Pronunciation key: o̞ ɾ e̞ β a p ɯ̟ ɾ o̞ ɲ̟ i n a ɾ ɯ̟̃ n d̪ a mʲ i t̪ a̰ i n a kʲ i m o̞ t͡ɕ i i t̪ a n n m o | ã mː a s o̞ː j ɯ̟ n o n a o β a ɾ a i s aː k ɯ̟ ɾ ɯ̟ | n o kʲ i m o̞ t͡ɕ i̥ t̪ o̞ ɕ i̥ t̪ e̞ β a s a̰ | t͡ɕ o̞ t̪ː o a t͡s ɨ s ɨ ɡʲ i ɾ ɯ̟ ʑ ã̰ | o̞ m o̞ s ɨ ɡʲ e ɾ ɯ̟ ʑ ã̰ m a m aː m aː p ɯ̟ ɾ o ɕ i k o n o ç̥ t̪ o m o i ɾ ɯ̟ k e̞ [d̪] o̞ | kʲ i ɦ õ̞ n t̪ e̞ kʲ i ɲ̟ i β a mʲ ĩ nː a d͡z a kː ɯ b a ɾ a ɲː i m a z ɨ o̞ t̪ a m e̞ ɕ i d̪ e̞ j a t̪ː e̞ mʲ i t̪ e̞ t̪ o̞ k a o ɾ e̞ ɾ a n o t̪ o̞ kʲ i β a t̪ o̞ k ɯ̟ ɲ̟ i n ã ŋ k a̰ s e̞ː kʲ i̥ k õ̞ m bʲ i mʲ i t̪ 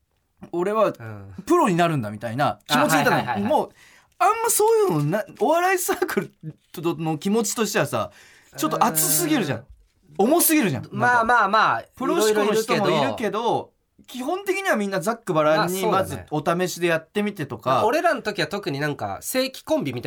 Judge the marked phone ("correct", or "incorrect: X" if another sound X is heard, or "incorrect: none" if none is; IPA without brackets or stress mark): correct